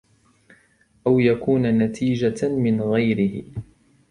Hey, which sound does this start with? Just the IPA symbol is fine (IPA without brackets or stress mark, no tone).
ʔ